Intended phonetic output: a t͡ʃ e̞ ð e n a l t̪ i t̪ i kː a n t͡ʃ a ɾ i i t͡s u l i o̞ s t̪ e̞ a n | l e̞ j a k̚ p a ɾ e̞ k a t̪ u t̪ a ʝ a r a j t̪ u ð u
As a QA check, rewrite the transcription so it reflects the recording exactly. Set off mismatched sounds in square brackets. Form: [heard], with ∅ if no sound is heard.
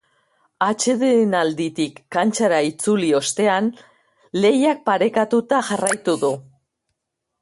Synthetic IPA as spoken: a t͡ʃ e̞ ð e n a l [d̪] i t̪ i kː a n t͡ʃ a ɾ [a] i t͡s u l i o̞ s t̪ e̞ a n | l e̞ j a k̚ p a ɾ e̞ k a t̪ u t̪ a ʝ a r a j t̪ u ð u